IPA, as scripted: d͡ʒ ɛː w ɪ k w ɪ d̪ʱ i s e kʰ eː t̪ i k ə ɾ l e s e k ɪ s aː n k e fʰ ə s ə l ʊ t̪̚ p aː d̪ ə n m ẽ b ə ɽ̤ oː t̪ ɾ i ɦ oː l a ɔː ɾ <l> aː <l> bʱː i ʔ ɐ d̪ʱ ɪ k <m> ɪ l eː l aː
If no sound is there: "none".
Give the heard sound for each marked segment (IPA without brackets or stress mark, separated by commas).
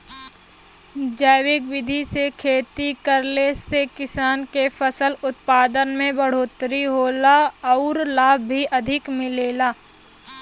l, none, m